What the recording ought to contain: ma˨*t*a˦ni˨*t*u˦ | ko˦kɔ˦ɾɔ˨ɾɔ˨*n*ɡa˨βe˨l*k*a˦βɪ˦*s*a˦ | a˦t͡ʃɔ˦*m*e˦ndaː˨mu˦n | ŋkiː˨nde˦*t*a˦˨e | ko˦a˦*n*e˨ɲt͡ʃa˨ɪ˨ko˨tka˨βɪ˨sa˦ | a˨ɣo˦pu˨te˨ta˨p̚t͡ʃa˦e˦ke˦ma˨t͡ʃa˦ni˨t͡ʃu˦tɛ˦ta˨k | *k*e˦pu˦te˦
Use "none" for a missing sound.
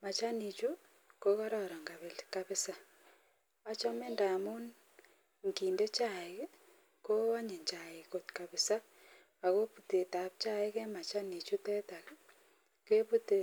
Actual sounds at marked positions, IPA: t͡ʃ, t͡ʃ, ŋ, k, s, m, t͡ʃ, ɲ, k

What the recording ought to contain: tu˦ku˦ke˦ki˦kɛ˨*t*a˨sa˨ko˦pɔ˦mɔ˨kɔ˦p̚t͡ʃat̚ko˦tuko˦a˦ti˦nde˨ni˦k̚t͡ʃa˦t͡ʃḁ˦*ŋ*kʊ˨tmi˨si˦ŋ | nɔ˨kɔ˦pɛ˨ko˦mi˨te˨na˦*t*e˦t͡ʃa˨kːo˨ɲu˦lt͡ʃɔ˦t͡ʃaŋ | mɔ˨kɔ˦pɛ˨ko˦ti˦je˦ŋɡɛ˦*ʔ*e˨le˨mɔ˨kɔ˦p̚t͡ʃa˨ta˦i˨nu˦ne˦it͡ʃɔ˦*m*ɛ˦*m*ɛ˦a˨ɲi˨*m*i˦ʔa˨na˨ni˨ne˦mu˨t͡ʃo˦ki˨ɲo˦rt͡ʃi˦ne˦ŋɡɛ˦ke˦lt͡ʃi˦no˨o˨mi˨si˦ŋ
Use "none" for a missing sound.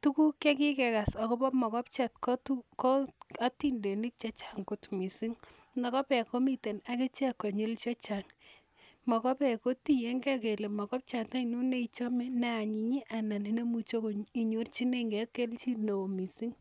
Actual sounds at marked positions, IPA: k, ŋ, k, k, m, n, ɲ

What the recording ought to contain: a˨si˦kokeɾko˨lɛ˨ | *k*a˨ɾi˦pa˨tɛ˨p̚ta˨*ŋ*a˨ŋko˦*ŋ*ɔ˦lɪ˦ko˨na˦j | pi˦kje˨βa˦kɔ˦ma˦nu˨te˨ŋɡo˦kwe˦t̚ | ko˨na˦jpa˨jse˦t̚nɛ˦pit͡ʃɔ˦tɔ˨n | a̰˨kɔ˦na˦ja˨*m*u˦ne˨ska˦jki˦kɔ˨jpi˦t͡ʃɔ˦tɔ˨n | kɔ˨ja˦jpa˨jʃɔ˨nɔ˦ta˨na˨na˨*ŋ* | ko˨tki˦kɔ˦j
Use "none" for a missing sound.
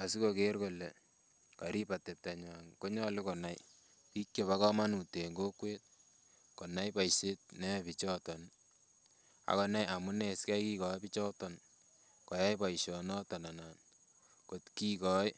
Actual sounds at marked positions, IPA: k, ɲ, ɲ, m, n

